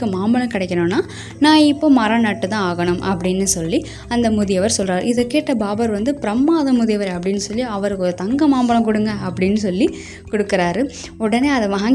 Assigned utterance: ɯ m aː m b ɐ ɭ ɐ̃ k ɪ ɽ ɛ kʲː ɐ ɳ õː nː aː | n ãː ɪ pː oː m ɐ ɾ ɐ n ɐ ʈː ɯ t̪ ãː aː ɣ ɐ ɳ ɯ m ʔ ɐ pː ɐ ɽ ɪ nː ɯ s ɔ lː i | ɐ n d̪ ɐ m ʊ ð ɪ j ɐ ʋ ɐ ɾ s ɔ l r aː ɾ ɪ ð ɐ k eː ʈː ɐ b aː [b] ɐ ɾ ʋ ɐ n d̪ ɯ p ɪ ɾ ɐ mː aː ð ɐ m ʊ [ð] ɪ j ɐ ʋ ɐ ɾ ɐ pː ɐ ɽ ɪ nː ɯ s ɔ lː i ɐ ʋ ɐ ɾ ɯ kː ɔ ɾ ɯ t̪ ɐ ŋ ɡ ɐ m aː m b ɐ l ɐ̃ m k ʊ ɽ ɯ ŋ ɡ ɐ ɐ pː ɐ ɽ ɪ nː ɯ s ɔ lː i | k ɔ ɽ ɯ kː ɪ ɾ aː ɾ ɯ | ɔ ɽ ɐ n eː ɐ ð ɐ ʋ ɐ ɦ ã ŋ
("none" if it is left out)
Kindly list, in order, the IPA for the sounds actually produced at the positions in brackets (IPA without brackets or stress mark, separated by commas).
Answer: b, ð